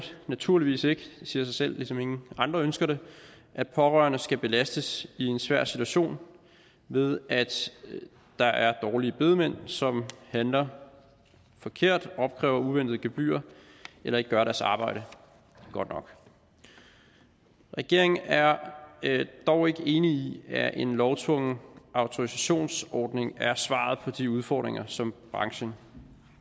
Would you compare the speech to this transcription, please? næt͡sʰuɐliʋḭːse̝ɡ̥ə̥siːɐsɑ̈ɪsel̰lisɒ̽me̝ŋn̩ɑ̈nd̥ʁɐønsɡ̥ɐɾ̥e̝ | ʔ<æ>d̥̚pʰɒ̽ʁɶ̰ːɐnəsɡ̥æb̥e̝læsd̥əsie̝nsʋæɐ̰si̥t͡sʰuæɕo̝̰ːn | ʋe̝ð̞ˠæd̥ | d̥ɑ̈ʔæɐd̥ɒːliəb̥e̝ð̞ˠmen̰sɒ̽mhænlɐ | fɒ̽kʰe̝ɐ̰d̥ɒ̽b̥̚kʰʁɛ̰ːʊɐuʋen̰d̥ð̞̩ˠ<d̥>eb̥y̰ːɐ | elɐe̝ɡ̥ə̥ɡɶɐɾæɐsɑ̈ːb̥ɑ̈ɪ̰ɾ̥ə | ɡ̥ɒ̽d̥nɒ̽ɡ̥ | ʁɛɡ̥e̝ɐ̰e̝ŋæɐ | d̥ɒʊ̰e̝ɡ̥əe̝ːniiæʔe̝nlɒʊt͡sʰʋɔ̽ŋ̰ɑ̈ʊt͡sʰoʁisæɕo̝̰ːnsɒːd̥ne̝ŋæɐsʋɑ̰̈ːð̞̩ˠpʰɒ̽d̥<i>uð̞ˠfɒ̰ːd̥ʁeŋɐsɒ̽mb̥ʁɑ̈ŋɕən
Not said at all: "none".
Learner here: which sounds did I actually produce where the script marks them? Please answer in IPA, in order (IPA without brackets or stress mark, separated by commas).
æ, ɡ̥, i